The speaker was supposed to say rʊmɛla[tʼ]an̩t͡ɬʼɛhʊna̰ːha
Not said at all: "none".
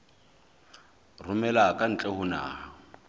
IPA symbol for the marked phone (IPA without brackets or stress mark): kʼ